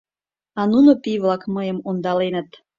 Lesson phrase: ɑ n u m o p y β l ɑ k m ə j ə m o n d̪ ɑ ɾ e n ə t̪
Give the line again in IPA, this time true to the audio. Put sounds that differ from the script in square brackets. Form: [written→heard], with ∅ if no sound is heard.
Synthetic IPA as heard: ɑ n u [m→n] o p [y→i] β l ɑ k m ə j ə m o n d̪ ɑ [ɾ→l] e n ə t̪